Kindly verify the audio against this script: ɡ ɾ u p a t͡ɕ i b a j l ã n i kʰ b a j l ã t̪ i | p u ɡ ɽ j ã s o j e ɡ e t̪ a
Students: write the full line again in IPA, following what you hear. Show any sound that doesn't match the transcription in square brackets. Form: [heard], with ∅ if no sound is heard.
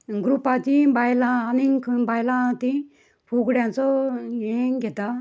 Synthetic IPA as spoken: ɡ ɾ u p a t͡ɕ i b a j l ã n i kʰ b a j l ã t̪ i | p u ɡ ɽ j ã [t͡s] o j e ɡ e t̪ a